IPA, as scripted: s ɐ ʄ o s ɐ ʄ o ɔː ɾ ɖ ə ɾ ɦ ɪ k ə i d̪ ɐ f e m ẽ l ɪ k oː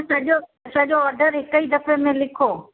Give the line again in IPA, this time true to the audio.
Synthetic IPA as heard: s ɐ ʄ o s ɐ ʄ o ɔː ɾ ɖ ə ɾ ɦ ɪ k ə i d̪ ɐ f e m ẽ l ɪ kʰ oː